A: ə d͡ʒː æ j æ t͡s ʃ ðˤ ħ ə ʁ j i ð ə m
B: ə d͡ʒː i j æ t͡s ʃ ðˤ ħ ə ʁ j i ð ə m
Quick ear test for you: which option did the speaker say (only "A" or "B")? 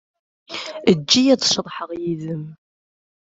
B